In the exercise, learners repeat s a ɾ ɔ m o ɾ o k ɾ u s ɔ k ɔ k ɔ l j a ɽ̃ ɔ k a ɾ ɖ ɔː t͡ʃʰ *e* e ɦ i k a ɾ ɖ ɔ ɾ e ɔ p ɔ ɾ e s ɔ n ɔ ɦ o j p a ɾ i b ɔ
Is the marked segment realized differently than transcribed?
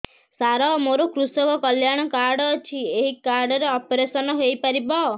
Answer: yes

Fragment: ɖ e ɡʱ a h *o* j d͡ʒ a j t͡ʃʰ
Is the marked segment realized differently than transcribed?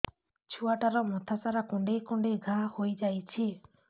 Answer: no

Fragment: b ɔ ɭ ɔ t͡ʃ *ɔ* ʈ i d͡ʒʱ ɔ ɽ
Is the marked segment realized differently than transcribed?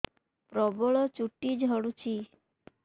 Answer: yes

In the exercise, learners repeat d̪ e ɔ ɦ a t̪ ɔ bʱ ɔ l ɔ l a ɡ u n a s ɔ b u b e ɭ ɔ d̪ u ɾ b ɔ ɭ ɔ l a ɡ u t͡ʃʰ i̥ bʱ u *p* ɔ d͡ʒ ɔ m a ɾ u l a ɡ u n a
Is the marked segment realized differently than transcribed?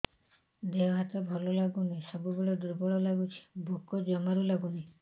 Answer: yes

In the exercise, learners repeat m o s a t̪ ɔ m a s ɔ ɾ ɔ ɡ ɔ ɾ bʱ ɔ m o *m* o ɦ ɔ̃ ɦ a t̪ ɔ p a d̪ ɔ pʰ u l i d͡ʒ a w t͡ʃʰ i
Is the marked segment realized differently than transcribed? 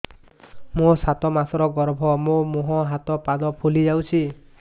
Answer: no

